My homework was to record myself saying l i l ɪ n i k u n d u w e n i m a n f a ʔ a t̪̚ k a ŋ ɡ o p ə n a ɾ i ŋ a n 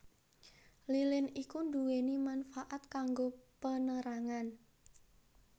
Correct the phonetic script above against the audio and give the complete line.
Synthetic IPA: l i l ɪ n i k u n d u w e n i m a n f a ʔ a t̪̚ k a ŋ ɡ o p ə n ə ɾ a ŋ a n